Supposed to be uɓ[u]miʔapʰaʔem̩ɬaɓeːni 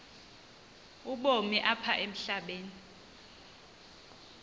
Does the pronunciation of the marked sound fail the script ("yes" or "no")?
yes